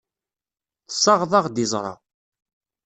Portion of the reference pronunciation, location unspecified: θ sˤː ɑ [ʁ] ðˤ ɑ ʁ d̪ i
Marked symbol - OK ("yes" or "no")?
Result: yes